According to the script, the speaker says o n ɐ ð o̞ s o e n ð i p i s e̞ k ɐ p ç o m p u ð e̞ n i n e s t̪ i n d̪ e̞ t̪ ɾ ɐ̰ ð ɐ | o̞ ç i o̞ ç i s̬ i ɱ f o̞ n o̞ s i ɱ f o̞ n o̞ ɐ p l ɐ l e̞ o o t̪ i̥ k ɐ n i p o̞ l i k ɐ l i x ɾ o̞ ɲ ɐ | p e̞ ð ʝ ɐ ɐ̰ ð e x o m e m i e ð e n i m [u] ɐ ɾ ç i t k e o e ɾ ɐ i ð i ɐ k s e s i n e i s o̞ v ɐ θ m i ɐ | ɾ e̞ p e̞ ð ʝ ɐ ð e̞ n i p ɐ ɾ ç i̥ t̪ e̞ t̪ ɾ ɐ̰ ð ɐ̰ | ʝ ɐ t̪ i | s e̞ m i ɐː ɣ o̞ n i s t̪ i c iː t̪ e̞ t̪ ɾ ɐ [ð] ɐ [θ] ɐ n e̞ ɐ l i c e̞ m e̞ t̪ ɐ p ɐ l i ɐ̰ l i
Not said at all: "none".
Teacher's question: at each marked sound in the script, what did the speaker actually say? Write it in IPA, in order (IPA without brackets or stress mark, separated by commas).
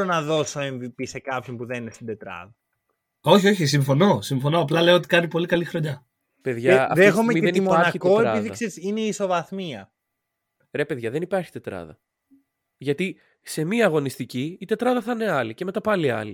o, ð, θ